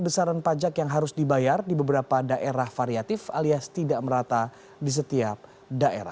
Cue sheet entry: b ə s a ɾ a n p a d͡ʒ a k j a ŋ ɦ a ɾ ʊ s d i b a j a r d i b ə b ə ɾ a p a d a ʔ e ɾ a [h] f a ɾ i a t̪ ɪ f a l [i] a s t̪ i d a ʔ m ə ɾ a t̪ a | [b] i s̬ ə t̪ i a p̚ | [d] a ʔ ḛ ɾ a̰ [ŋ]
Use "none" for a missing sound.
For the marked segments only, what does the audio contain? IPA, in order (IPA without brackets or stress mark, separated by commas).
h, i, d, d, none